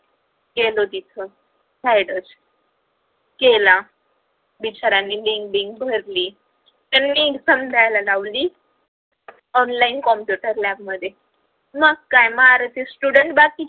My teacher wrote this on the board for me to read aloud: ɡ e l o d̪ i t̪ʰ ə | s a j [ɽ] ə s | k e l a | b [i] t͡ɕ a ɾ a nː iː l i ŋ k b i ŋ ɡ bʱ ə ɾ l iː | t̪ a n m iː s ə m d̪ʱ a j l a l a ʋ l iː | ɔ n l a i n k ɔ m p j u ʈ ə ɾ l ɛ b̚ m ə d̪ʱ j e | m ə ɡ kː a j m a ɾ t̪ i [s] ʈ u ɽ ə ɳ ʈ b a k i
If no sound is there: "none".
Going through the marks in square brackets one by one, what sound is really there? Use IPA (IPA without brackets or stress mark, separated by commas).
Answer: ɽ, i, s